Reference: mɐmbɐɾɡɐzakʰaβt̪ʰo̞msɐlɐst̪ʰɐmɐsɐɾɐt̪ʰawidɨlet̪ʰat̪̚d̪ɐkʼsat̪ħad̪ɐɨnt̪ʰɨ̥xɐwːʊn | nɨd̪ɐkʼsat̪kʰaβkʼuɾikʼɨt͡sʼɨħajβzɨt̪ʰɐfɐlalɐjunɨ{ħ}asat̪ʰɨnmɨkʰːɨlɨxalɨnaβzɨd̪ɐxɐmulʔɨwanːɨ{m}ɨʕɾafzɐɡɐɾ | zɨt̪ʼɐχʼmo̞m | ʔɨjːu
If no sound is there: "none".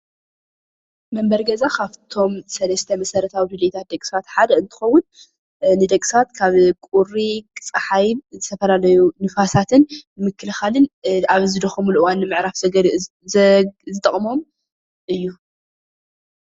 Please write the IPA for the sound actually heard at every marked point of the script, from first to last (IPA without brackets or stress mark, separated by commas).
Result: f, m